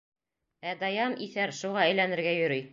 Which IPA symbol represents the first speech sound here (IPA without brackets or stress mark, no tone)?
æ